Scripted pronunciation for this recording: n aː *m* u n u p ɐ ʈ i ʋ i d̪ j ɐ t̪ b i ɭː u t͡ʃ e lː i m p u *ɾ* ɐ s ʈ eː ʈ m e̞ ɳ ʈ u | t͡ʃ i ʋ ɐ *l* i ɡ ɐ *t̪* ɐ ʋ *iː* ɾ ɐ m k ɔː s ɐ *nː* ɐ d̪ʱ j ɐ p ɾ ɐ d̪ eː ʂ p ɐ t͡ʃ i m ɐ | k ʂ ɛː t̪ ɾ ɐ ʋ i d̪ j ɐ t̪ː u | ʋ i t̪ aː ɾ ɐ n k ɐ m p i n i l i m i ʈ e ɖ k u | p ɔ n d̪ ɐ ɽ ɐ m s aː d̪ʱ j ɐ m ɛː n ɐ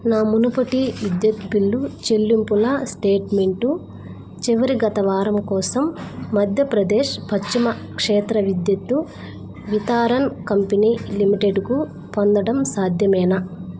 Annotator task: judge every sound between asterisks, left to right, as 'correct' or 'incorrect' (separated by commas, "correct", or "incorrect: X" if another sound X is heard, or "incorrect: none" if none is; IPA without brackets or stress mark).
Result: correct, incorrect: l, incorrect: ɾ, correct, incorrect: aː, incorrect: mː